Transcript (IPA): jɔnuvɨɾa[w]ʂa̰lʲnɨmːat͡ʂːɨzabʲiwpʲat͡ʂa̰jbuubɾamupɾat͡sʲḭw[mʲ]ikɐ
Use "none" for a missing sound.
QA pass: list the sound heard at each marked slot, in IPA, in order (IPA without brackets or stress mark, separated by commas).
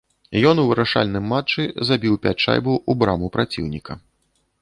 none, nʲ